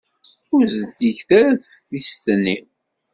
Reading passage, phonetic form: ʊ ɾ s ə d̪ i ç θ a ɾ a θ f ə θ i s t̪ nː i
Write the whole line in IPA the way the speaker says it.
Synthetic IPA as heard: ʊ ɾ z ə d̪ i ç θ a ɾ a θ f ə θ i s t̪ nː i